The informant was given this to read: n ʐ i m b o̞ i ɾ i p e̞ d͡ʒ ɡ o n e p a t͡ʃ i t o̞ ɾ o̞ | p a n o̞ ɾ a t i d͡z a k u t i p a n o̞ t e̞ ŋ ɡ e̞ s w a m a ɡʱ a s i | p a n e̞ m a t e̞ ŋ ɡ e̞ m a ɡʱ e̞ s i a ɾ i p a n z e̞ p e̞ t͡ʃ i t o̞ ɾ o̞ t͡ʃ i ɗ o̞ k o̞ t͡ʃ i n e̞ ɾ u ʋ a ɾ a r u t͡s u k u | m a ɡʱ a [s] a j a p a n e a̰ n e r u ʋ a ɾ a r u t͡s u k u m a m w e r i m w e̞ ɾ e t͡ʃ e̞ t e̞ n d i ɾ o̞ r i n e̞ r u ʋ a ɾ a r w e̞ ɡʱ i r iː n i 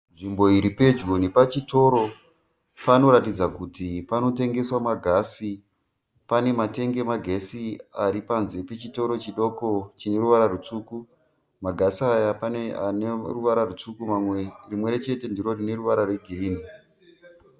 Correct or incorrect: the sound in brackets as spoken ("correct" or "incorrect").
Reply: correct